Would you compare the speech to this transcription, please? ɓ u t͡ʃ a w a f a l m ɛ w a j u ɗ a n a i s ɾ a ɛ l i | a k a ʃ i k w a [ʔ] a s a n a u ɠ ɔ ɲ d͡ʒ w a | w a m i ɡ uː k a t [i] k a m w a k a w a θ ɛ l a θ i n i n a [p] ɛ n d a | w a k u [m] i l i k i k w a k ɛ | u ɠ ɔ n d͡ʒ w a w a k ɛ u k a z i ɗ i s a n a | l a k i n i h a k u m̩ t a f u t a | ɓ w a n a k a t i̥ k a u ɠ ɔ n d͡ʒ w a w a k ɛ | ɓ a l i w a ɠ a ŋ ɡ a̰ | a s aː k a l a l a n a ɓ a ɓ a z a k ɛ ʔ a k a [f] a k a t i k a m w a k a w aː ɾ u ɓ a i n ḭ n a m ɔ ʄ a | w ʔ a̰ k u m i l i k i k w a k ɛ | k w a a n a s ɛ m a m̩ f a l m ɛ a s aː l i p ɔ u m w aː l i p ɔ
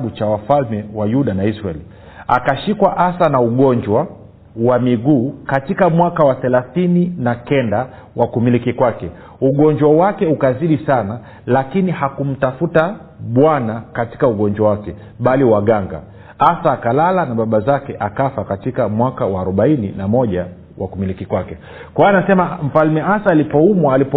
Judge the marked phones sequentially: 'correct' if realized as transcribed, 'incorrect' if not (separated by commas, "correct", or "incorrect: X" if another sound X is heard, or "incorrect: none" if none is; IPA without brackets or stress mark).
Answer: correct, correct, incorrect: k, correct, correct